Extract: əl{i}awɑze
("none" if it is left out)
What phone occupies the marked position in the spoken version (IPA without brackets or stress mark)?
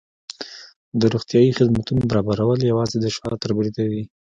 j